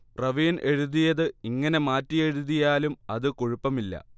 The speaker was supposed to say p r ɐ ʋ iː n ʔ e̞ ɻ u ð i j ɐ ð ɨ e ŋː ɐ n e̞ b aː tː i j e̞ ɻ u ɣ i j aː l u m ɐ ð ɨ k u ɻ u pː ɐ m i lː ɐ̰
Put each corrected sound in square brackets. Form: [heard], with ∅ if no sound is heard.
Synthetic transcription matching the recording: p r ɐ ʋ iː n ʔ e̞ ɻ u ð i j ɐ ð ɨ [i] ŋː ɐ n e̞ [m] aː tː i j e̞ ɻ u [ð] i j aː l u m ɐ ð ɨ k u ɻ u pː ɐ m i lː ɐ̰